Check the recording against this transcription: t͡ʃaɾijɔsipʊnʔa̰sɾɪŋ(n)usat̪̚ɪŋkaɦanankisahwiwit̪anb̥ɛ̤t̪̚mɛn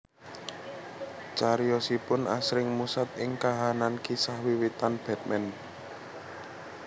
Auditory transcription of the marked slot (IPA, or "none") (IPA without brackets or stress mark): m